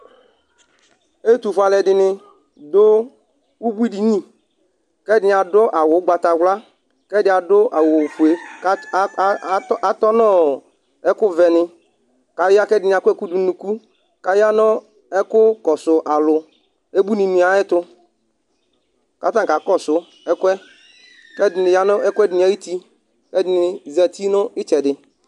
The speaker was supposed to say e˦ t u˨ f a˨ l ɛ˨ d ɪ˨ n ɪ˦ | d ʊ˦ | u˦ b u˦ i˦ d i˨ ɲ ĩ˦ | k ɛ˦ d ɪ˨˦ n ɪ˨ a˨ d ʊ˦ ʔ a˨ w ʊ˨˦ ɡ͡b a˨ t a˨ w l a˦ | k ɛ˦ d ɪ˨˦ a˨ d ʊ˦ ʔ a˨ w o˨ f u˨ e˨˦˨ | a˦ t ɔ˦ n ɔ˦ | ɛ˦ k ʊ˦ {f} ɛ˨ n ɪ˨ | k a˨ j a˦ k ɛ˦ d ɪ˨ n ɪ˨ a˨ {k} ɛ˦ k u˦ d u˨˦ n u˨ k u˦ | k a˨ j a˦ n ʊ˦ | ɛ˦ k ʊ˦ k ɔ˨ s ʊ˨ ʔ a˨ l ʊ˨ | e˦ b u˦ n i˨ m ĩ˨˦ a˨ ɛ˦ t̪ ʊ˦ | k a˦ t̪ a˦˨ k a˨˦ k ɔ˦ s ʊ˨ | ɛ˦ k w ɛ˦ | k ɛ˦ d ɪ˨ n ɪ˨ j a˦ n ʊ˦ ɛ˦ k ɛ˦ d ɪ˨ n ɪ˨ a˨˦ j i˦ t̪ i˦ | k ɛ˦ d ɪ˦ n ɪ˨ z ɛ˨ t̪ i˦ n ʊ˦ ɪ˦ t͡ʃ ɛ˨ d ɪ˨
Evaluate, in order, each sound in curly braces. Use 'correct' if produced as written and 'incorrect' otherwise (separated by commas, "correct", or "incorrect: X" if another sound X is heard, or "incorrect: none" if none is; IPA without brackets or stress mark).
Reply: incorrect: v, correct